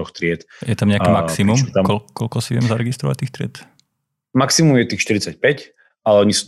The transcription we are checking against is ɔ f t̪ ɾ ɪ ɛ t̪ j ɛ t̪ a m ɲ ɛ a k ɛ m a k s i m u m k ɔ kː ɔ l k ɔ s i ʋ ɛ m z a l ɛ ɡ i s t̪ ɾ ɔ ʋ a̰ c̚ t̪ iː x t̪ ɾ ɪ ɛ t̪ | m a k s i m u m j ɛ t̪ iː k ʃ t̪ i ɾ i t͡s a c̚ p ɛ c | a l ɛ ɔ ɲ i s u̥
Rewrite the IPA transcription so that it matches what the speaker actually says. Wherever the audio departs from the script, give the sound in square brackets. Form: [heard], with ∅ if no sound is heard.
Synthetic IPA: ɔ [x] t̪ ɾ ɪ ɛ t̪ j ɛ t̪ a m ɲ ɛ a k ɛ m a k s i m u m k ɔ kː ɔ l k ɔ s i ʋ ɛ m z a [ɾ] ɛ ɡ i s t̪ ɾ ɔ ʋ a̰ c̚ t̪ iː x t̪ ɾ ɪ ɛ t̪ | m a k s i m u m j ɛ t̪ iː [x] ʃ t̪ i ɾ i t͡s a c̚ p ɛ c | a l ɛ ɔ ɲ i s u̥